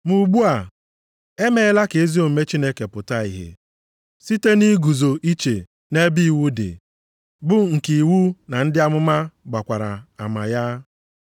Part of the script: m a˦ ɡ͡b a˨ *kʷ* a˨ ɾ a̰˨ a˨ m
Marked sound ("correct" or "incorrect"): correct